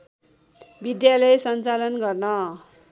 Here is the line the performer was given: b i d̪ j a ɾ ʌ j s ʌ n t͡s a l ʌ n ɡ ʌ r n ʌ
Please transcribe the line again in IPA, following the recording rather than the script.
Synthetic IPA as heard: b i d̪ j a l ʌ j s ʌ n t͡s a l ʌ n ɡ ʌ r n ʌ